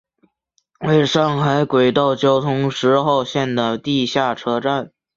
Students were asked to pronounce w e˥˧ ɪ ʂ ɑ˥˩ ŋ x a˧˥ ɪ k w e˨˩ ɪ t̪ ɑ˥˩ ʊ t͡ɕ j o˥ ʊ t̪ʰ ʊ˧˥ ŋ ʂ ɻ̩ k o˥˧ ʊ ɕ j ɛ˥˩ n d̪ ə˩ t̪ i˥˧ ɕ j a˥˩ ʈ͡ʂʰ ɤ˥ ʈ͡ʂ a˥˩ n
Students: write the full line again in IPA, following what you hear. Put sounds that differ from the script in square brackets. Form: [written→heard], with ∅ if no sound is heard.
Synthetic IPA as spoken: w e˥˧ ɪ ʂ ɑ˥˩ ŋ x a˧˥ ɪ k w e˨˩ ɪ t̪ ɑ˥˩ ʊ t͡ɕ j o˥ ʊ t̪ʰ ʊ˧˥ ŋ ʂ ɻ̩ [k→x] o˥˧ ʊ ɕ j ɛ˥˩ n d̪ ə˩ t̪ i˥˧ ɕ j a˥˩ ʈ͡ʂʰ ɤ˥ ʈ͡ʂ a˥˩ n